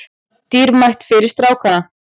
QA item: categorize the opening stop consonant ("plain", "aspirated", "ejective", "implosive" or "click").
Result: plain